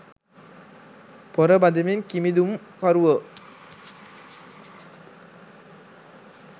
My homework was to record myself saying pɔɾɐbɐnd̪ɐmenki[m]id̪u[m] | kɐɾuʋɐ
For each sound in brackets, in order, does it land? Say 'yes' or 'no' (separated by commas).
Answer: yes, yes